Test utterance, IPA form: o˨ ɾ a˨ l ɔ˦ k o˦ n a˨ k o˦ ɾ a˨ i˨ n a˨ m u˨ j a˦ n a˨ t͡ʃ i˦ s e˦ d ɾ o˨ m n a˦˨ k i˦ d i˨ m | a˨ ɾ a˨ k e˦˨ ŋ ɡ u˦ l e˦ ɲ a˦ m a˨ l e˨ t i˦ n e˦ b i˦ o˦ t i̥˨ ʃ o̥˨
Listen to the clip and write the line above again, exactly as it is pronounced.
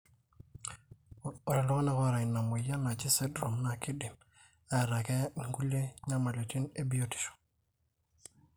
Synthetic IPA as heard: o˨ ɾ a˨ l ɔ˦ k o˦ n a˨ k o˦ ɾ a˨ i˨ n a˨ m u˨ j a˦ n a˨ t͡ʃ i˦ s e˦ d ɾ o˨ m n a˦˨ k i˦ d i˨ m | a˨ ɾ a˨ k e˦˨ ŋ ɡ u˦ l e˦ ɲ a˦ m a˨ l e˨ t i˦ n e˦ b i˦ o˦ t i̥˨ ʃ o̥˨